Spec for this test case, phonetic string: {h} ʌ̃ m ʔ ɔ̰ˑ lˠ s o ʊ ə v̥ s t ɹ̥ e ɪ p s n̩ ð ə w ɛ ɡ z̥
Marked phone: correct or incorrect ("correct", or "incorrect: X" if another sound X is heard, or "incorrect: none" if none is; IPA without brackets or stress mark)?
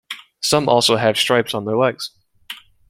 incorrect: s